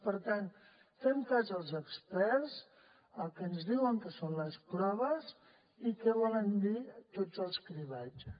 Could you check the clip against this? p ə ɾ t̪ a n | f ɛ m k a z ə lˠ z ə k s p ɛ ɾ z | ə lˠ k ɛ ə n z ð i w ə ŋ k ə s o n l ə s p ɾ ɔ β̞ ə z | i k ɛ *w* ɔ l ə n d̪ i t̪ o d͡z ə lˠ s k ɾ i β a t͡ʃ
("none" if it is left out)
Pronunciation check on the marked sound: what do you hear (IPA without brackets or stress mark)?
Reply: β